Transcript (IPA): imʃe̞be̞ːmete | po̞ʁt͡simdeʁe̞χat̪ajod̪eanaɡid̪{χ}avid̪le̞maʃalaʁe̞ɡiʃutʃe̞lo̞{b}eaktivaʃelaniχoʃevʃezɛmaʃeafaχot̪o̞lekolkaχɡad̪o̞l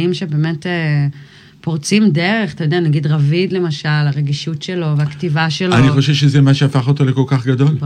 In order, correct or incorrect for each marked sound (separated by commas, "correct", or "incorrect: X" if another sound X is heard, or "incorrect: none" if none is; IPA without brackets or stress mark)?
incorrect: ʁ, incorrect: v